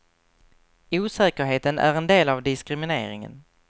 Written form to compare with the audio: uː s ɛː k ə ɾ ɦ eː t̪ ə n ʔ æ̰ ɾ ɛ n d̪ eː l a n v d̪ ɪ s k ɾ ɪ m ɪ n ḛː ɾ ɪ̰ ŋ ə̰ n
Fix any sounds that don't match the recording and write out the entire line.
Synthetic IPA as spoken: uː s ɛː k ə ɾ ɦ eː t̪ ə n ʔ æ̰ ɾ ɛ n d̪ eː l a v d̪ ɪ s k ɾ ɪ m ɪ n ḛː ɾ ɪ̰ ŋ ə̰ n